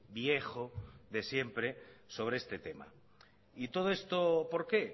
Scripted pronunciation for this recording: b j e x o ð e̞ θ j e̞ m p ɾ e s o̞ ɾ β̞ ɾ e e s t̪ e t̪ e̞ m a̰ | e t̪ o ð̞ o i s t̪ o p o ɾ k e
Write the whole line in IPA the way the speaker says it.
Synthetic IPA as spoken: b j e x o ð e̞ s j e̞ m p ɾ e s o̞ β̞ ɾ e e s t̪ e t̪ e̞ m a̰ | i t̪ o ð̞ o e s t̪ o p o ɾ k e